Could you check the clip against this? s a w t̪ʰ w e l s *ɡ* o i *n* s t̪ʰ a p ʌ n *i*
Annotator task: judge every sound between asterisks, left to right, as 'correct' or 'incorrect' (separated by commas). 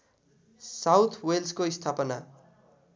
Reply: incorrect, incorrect, incorrect